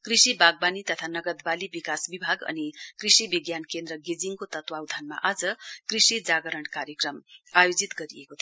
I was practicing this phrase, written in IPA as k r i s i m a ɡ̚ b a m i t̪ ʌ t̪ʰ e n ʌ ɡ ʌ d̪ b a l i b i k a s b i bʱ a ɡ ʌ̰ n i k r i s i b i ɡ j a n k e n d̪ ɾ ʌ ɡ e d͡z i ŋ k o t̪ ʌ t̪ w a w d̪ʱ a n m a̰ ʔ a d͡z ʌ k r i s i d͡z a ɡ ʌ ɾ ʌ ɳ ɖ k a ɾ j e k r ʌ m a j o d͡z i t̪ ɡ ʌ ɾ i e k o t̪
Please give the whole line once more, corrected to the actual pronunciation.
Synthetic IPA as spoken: k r i s i b a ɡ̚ b a n i t̪ ʌ t̪ʰ a n ʌ ɡ ʌ d̪ b a l i b i k a s b i bʱ a ɡ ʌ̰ n i k r i s i b i ɡ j a n k e n d̪ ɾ ʌ ɡ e d͡z i ŋ k o t̪ ʌ t̪ w a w d̪ʱ a n m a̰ ʔ a d͡z ʌ k r i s i d͡z a ɡ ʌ ɾ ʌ ɳ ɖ k a ɾ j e k r ʌ m a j o d͡z i t̪ ɡ ʌ ɾ i e k o t̪ʰ

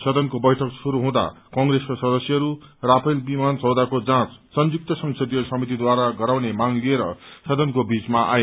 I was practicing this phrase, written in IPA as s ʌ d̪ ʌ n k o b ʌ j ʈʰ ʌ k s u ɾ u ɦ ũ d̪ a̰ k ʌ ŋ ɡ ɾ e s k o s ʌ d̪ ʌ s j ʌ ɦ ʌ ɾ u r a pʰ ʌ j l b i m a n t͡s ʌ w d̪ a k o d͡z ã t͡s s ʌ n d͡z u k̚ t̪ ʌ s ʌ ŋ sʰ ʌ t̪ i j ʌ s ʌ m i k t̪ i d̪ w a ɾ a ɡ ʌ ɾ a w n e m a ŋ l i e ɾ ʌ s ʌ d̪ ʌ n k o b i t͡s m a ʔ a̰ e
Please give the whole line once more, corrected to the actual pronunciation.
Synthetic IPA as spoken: s ʌ d̪ ʌ n k o b ʌ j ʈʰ ʌ k s u ɾ u ɦ ũ d̪ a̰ k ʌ ŋ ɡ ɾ e s k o s ʌ d̪ ʌ s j ʌ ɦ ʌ ɾ u r a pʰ ʌ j l b i m a n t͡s ʌ w d̪ a k o d͡z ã t͡s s ʌ n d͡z u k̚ t̪ ʌ s ʌ ŋ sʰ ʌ d̪ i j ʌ s ʌ m i t̪ i d̪ w a ɾ a ɡ ʌ ɾ a w n e m a ŋ l i e ɾ ʌ s ʌ d̪ ʌ n k o b i t͡s m a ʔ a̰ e

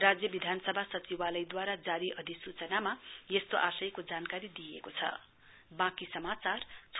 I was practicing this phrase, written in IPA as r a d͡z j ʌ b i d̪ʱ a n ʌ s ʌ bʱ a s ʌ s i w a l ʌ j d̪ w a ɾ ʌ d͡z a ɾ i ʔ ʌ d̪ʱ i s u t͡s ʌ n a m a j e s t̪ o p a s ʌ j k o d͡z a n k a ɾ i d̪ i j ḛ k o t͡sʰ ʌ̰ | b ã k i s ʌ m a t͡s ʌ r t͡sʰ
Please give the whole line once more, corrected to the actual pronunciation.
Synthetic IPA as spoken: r a d͡z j ʌ b i d̪ʱ a n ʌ s ʌ bʱ a s ʌ t͡s i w a l ʌ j d̪ w a ɾ a d͡z a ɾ i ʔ ʌ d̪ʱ i s u t͡s ʌ n a m a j e s t̪ o ʔ a s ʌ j k o d͡z a n k a ɾ i d̪ i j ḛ k o t͡sʰ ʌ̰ | b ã k i s ʌ m a t͡s a r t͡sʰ

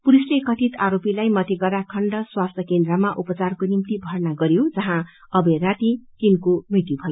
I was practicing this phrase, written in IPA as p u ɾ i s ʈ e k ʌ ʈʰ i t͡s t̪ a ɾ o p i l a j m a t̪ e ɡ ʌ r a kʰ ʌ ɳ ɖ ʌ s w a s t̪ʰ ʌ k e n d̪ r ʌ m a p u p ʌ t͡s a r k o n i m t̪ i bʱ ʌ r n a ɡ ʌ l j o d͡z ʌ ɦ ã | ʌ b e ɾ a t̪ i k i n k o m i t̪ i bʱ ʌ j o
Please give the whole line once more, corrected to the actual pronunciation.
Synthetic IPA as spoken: p u ɾ i s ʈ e k ʌ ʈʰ i t̪ a ɾ o p i l a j m ʌ t̪ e ɡ ʌ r a kʰ ʌ ɳ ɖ ʌ s w a s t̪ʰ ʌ k e n d̪ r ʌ m a ʔ u p ʌ t͡s a r k o n i m t̪ i bʱ ʌ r n a ɡ ʌ ɾ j o d͡z ʌ ɦ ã | ʌ b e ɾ a t̪ i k i n k o m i t̪ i bʱ ʌ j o

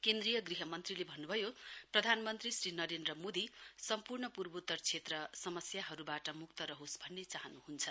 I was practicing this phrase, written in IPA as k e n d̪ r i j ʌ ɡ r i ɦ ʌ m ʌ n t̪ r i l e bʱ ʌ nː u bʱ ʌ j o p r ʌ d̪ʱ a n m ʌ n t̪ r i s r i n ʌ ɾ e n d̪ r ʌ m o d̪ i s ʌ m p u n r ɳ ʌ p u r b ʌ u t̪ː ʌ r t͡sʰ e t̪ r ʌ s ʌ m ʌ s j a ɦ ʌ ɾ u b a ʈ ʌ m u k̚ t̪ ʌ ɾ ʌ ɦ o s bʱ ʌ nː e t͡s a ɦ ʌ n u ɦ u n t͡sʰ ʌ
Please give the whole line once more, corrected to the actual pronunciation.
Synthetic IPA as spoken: k e n d̪ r i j ʌ ɡ r i ɦ ʌ m ʌ n t̪ r i l e bʱ ʌ nː u bʱ ʌ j o p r ʌ d̪ʱ a n m ʌ n t̪ r i s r i n ʌ ɾ e n d̪ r ʌ m o d̪ i s ʌ m p u r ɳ ʌ p u r b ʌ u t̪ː ʌ r t͡sʰ e t̪ r ʌ s ʌ m ʌ s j a ɦ ʌ ɾ u b a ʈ ʌ m u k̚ t̪ ʌ ɾ ʌ ɦ o s bʱ ʌ nː e t͡s a ɦ ʌ n u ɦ u n t͡sʰ ʌ

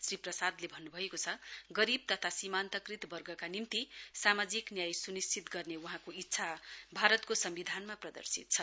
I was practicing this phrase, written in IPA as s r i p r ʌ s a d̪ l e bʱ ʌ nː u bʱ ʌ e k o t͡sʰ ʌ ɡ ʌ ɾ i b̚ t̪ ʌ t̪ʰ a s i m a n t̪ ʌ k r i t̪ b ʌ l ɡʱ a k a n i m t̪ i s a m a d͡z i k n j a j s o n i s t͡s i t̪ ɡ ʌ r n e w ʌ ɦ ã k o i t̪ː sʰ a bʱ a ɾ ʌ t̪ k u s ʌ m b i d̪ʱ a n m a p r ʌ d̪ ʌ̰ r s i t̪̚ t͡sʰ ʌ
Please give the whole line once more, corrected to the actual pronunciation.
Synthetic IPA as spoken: s r i p r ʌ s a d̪ l e bʱ ʌ nː u bʱ ʌ e k o t͡sʰ ʌ ɡ ʌ ɾ i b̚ t̪ ʌ t̪ʰ a s i m a n t̪ ʌ k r i t̪ b ʌ r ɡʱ ʌ k a n i m t̪ i s a m a d͡z i k n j a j s u n i s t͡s i t̪ ɡ ʌ r n e w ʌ ɦ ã k o i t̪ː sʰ a bʱ a ɾ ʌ t̪ k o s ʌ m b i d̪ʱ a n m a p r ʌ d̪ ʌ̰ r s i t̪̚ t͡sʰ ʌ

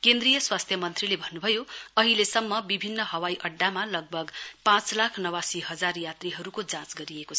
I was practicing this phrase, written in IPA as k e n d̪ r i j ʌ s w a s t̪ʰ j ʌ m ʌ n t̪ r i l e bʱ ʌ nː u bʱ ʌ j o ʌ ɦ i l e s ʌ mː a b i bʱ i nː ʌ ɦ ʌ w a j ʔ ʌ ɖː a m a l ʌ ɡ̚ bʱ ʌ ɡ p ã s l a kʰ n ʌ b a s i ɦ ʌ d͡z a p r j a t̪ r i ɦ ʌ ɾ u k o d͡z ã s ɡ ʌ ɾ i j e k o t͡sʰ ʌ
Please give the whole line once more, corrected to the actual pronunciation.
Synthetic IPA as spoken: k e n d̪ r i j ʌ s w a s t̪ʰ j ʌ m ʌ n t̪ r i l e bʱ ʌ nː u bʱ ʌ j o ʌ ɦ i l e s ʌ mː ʌ b i bʱ i nː ʌ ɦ ʌ w a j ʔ ʌ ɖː a m a l ʌ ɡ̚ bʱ ʌ ɡ p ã t͡s l a kʰ n ʌ w a s i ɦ ʌ d͡z a r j a t̪ r i ɦ ʌ ɾ u k o d͡z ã t͡s ɡ ʌ ɾ i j e k o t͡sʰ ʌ

